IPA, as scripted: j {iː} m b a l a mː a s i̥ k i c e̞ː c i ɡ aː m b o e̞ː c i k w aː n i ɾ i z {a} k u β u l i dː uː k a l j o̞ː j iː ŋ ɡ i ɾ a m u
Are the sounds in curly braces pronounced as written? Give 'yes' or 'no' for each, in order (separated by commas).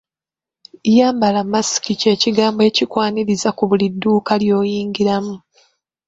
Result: no, yes